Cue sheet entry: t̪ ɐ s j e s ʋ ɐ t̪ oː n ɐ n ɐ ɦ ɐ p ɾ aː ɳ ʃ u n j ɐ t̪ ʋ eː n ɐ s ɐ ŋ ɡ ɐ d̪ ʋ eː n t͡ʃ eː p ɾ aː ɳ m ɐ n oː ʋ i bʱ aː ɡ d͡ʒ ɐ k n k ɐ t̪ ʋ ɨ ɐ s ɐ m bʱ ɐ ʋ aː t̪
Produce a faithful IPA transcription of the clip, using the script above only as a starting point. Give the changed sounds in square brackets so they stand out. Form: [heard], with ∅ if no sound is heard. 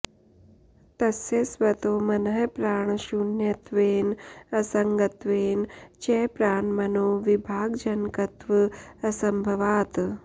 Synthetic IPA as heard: t̪ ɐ s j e s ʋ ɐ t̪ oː [m] ɐ n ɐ ɦ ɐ p ɾ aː ɳ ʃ u n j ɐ t̪ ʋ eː n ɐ s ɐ ŋ ɡ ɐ [t̪] ʋ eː n t͡ʃ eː p ɾ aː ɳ m ɐ n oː ʋ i bʱ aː ɡ d͡ʒ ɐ [∅] n k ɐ t̪ ʋ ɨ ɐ s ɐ m bʱ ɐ ʋ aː t̪